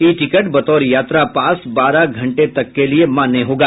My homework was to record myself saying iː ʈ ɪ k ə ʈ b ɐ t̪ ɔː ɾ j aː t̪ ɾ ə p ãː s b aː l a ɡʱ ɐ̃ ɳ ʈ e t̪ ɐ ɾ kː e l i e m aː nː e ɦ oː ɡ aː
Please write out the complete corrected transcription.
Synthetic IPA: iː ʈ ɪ k ə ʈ b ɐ t̪ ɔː ɾ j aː t̪ ɾ a p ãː s b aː ɾ a ɡʱ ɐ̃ ɳ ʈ e t̪ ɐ kː e l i e m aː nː e ɦ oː ɡ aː